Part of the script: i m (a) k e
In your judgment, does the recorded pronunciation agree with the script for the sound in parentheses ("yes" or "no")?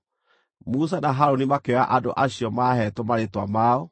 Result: yes